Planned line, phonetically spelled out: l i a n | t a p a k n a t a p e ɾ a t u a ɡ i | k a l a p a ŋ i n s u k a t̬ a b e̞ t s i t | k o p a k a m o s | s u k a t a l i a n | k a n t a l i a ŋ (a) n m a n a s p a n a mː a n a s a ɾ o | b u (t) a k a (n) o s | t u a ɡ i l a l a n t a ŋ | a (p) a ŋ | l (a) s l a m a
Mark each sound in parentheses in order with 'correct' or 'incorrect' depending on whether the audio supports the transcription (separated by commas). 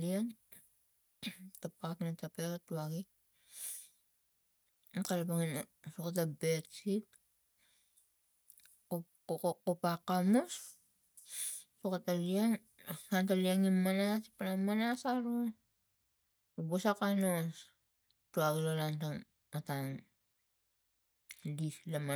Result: incorrect, incorrect, correct, incorrect, incorrect